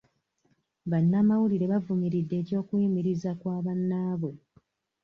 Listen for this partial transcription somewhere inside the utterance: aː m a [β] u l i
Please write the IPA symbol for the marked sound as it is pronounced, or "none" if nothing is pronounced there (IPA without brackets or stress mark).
w